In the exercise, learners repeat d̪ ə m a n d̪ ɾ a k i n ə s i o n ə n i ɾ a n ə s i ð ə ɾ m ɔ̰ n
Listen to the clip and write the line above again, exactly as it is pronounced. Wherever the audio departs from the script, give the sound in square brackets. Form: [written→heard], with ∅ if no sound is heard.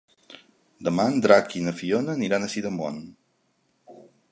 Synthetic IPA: d̪ ə m a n d̪ ɾ a k i n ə [s→f] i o n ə n i ɾ a n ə s i ð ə [ɾ→∅] m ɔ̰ n